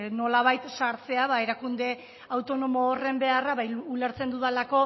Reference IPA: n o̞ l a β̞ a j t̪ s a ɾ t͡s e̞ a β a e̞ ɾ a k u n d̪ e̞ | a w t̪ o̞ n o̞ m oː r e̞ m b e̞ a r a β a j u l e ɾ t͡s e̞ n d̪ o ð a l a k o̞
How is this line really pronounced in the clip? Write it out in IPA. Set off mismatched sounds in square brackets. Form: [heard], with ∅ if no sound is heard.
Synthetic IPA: n o̞ l a β̞ a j t̪ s a ɾ t͡s e̞ a β a e̞ ɾ a k u n d̪ e̞ | a w t̪ o̞ n o̞ m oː r e̞ m b e̞ a r a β a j u l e ɾ t͡s e̞ n d̪ [u] ð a l a k o̞